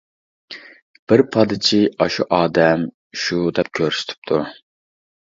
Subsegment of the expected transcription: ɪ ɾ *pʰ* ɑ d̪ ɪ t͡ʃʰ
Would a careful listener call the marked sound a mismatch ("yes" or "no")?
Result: no